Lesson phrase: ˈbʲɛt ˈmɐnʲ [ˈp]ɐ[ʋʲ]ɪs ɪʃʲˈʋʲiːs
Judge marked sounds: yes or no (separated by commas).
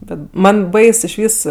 no, no